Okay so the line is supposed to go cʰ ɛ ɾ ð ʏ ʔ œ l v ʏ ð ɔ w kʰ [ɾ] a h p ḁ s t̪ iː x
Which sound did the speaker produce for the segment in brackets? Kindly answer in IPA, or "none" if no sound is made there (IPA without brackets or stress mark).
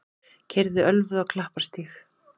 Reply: l